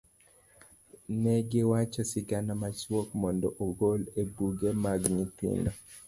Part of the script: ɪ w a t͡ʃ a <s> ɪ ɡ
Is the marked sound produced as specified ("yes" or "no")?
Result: yes